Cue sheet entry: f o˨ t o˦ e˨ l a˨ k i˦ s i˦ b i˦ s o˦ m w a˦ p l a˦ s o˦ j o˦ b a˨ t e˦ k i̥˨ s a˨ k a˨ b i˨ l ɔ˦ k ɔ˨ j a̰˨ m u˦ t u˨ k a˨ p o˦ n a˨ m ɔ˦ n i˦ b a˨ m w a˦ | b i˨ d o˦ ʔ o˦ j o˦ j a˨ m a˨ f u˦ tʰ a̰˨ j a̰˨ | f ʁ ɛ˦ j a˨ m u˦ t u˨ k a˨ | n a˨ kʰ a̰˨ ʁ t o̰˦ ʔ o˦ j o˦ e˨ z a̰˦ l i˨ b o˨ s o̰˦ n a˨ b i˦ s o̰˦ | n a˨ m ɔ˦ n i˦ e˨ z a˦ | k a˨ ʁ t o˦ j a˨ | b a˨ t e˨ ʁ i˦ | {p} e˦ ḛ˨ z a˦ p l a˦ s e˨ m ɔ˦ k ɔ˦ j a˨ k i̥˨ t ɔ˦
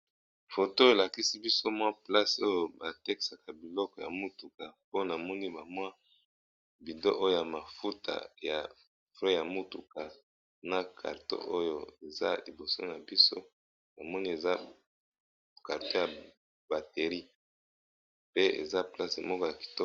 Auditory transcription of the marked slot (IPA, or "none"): p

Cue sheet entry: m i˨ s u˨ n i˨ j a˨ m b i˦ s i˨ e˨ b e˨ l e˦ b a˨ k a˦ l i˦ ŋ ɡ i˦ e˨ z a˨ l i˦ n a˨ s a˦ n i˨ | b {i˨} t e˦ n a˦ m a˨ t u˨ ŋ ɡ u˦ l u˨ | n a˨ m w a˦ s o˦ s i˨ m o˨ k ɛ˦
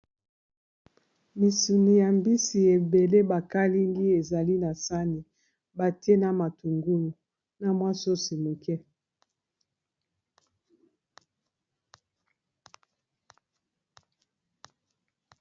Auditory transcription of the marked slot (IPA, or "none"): a˨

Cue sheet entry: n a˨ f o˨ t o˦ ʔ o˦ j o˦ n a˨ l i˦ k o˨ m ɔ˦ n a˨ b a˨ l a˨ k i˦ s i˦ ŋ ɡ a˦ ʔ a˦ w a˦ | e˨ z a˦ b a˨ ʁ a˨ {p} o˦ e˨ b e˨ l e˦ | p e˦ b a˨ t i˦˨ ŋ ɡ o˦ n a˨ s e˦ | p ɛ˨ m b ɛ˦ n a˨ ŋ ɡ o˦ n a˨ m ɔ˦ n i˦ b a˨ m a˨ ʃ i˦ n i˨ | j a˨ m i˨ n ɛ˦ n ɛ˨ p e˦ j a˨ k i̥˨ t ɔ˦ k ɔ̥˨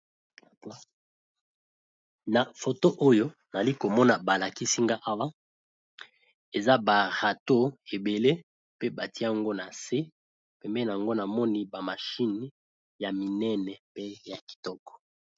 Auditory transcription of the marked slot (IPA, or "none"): t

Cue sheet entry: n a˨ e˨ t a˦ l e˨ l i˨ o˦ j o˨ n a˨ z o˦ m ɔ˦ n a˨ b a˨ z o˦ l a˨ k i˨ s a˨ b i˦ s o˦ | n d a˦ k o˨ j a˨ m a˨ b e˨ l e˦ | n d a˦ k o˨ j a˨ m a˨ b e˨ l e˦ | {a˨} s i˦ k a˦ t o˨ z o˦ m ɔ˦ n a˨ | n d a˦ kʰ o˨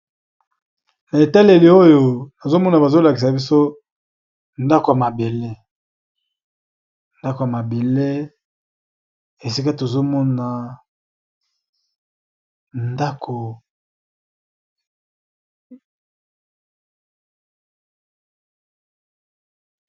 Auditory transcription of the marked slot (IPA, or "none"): e˨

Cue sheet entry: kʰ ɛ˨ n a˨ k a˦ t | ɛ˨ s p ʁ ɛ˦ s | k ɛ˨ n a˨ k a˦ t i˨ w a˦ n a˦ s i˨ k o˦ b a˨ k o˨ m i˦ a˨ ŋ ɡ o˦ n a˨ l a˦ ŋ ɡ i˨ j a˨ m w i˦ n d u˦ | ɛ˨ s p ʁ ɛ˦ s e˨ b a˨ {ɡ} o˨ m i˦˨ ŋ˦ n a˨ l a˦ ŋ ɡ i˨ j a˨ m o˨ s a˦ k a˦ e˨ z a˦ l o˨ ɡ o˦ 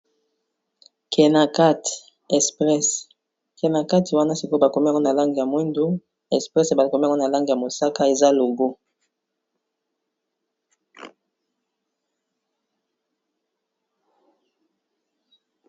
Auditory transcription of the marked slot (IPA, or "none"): k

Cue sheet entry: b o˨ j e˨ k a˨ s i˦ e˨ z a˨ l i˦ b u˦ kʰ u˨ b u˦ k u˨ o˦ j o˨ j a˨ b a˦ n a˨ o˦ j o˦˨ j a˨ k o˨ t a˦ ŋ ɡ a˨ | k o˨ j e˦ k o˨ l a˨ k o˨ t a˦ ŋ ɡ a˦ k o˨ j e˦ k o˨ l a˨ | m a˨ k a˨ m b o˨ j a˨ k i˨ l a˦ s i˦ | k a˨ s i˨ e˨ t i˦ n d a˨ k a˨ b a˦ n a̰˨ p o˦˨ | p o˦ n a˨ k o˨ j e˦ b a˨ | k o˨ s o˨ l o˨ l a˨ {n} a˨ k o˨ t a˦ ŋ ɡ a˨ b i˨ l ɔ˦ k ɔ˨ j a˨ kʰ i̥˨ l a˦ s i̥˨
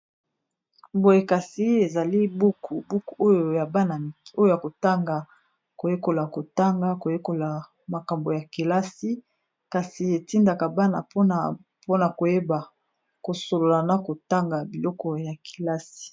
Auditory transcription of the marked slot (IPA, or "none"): n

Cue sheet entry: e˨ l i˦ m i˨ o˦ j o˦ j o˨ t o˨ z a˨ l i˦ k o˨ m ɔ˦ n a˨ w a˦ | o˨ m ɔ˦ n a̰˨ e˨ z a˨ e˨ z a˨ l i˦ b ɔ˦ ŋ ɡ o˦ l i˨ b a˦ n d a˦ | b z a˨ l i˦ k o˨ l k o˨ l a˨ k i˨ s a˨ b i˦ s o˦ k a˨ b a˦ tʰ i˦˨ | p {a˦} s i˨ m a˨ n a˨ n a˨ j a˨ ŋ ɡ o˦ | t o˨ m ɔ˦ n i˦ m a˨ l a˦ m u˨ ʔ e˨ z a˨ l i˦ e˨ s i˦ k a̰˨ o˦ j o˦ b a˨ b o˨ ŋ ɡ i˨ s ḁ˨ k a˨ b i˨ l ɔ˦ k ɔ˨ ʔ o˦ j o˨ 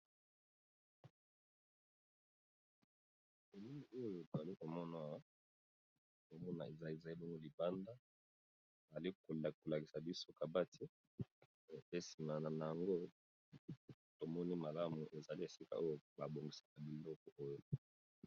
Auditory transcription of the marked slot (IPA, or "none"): e˦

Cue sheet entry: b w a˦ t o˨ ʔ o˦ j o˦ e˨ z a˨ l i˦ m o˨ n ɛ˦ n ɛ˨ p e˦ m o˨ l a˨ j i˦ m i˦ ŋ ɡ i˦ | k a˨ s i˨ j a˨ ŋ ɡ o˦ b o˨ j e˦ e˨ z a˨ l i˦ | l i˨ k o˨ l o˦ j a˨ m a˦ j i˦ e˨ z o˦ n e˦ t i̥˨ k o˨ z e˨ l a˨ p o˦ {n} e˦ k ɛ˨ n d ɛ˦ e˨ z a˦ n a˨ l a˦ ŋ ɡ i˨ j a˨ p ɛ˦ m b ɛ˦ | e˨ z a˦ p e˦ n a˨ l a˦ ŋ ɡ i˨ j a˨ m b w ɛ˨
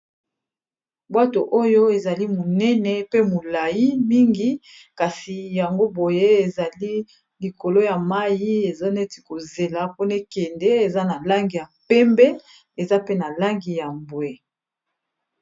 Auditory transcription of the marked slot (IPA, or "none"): n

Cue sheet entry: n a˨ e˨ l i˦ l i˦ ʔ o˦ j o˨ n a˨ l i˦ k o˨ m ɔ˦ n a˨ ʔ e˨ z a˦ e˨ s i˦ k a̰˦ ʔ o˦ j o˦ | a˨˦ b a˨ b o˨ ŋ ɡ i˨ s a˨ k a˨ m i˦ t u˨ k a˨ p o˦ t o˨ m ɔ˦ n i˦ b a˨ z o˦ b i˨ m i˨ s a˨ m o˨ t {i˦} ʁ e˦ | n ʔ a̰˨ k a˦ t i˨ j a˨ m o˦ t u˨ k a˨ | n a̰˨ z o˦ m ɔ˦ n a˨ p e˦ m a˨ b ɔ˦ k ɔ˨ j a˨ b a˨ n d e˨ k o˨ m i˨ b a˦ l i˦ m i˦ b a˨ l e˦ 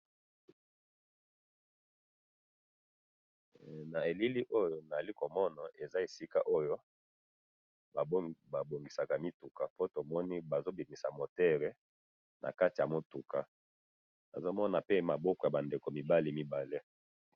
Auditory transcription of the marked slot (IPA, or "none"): ɛ˦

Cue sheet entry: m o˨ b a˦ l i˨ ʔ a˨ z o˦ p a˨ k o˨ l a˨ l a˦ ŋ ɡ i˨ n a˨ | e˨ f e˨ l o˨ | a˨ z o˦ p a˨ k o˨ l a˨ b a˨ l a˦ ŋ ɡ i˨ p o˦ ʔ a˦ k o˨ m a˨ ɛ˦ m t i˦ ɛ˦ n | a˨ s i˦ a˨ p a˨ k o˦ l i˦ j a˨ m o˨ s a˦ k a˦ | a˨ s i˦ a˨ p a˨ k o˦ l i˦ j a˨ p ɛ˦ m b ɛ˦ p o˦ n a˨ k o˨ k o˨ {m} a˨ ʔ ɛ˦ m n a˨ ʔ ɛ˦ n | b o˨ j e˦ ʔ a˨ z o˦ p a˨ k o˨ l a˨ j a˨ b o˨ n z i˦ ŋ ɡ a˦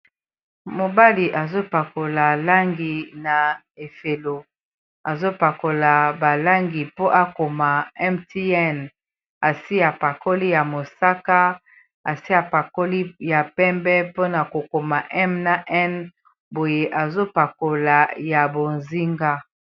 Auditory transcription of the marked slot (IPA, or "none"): m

